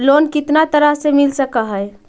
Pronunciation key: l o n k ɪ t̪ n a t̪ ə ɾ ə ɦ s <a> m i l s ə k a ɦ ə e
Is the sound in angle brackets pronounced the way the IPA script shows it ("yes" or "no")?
no